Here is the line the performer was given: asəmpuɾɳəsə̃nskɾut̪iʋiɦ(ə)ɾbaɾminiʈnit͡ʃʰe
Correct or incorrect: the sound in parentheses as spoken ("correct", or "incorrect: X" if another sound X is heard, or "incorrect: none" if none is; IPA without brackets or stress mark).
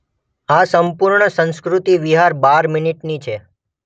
incorrect: a